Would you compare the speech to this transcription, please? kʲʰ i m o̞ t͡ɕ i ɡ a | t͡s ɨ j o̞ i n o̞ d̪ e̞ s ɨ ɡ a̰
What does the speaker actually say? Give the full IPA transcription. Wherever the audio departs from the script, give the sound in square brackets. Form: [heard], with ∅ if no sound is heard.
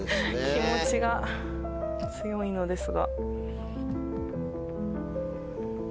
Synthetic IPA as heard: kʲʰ i m o̞ t͡ɕ i ɡ a | t͡s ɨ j o̞ i n o̞ d̪ e̞ s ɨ ɡ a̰